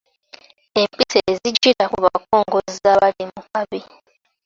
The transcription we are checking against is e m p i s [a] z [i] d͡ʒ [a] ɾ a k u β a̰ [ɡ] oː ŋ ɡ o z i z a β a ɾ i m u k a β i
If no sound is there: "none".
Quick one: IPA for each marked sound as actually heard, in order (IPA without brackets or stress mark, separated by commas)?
e, i, i, k